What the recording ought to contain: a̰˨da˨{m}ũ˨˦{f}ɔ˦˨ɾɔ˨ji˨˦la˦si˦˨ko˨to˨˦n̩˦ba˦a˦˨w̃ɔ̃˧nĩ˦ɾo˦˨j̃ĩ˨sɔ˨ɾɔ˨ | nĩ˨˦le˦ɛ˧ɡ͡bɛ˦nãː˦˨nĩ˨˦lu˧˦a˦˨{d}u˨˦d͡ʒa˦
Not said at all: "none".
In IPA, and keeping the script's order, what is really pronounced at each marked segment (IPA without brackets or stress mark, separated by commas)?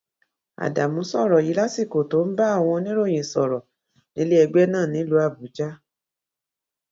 m, s, b